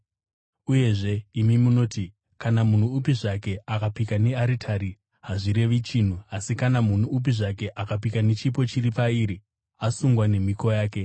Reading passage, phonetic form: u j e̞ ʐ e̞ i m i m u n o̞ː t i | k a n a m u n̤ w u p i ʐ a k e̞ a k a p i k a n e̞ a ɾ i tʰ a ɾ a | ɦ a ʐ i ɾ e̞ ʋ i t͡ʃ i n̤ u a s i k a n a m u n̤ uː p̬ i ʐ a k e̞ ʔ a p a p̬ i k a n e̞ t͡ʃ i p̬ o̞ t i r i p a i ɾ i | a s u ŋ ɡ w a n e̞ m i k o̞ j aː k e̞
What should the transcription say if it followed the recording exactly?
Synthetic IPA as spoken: u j e̞ ʐ e̞ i m i m u n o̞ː t i | k a n a m u n̤ u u p i ʐ a k e̞ a k a p i k a n e̞ a ɾ i tʰ a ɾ i | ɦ a ʐ i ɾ e̞ ʋ i t͡ʃ i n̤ u a s i k a n a m u n̤ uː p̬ i ʐ a k e̞ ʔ a k a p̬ i k a n e̞ t͡ʃ i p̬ o̞ t͡ʃ i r i p a i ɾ i | a s u ŋ ɡ w a n e̞ m i k o̞ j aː k e̞